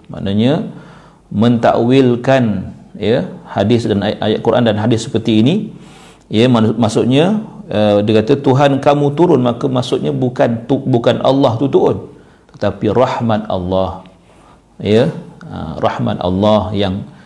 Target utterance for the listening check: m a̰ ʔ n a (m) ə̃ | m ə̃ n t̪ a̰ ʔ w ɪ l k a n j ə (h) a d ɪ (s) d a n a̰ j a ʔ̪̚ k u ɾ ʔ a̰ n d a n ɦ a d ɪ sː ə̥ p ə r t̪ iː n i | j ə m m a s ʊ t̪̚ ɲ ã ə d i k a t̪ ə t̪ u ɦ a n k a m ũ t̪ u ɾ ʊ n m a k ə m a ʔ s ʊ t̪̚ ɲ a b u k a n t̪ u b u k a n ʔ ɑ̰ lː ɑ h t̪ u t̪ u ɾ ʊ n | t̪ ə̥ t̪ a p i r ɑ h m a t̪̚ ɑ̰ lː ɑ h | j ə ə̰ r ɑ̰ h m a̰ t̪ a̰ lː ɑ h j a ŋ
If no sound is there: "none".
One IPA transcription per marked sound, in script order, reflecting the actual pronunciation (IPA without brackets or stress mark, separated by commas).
ɲ, h, s